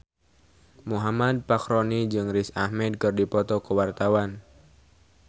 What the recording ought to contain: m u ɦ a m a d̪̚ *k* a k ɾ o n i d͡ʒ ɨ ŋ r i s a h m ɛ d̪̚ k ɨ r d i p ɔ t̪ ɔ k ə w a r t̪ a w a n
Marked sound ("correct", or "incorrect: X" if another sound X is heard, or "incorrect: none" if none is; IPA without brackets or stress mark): incorrect: p